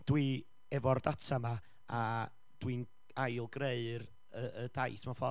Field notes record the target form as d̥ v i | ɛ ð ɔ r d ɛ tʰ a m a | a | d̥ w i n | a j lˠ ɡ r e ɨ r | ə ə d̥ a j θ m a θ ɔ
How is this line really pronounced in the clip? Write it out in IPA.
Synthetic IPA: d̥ w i | ɛ v ɔ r d a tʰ a m a | a | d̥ w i n | a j lˠ ɡ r e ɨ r | ə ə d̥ a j θ m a f ɔ